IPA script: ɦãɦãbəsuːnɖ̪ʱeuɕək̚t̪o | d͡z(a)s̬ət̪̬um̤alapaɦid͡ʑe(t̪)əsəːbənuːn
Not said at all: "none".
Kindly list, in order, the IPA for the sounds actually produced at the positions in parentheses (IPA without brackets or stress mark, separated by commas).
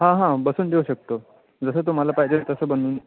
ə, t̪